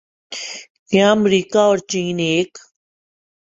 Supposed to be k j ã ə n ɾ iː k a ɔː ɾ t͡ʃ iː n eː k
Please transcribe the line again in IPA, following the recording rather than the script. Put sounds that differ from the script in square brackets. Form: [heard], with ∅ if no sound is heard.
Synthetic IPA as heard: k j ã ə [m] ɾ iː k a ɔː ɾ t͡ʃ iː n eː k